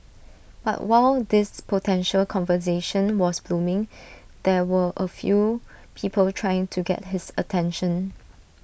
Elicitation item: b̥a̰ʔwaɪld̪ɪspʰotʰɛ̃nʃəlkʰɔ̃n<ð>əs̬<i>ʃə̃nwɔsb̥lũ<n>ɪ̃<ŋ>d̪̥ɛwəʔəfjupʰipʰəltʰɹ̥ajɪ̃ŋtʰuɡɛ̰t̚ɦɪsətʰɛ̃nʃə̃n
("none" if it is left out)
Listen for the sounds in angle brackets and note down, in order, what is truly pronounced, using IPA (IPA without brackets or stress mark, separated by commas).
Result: v, e, m, ŋ